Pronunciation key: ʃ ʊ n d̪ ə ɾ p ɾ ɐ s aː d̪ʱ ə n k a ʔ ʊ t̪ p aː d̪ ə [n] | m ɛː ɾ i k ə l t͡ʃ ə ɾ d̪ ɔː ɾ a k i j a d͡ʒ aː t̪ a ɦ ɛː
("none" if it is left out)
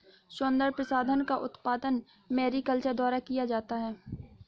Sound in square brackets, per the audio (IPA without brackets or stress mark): n